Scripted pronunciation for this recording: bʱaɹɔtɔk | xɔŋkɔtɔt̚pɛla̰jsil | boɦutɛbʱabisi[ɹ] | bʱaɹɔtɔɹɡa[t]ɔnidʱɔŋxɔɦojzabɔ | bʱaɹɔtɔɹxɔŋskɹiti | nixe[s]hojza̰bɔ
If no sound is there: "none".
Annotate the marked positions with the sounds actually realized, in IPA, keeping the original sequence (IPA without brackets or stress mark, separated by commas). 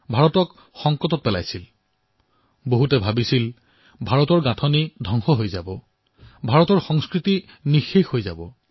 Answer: l, tʰ, x